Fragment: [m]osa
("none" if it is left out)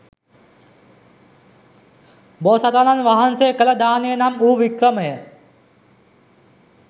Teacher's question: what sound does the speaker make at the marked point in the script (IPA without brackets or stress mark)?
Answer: b